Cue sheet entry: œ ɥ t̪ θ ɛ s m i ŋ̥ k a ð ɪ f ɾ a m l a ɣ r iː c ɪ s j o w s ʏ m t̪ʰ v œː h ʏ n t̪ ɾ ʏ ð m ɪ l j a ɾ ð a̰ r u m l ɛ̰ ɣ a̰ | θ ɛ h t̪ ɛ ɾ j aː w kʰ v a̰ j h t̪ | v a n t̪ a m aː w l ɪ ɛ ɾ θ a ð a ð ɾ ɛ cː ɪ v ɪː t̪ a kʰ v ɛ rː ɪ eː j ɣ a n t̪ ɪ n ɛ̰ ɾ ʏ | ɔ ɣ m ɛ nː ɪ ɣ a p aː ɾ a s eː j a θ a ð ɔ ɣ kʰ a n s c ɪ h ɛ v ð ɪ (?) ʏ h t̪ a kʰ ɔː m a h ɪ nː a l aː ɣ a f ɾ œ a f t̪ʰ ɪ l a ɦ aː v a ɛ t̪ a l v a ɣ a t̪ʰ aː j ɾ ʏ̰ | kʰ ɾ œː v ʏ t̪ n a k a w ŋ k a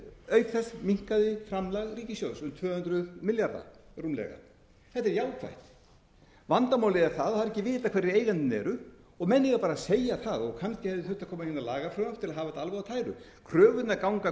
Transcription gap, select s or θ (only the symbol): θ